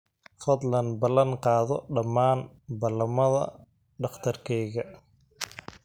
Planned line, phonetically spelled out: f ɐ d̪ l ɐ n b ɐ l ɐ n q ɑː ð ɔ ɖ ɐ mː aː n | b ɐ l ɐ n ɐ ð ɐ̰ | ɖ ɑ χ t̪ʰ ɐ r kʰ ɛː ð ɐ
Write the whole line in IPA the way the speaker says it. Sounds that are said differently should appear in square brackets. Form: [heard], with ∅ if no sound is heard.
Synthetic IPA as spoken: f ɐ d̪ l ɐ n b ɐ l ɐ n q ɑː ð ɔ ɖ ɐ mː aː n | b ɐ l ɐ [m] ɐ ð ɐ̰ | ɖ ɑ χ t̪ʰ ɐ r kʰ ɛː [ɣ] ɐ